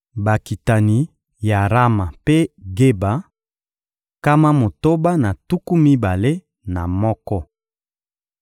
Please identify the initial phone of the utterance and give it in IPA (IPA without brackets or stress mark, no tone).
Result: b